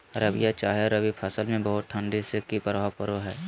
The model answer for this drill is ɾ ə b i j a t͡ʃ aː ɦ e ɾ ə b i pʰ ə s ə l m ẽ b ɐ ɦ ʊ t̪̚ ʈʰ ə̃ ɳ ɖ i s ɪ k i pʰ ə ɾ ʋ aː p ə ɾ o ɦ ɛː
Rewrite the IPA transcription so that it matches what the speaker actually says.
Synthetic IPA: ɾ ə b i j a t͡ʃ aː ɦ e ɾ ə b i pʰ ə s ə l m ẽ b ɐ ɦ ʊ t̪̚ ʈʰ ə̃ ɳ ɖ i s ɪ k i p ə ɾ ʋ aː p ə ɾ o ɦ ɛː